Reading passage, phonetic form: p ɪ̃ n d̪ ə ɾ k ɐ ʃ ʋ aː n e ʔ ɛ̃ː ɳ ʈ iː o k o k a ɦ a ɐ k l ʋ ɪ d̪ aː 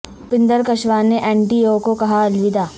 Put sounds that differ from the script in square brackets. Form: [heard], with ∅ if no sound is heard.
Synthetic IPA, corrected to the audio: p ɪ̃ n d̪ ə ɾ k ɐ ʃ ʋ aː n e ʔ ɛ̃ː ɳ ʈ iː o k o k [ɐ] ɦ a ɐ [∅] l ʋ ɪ d̪ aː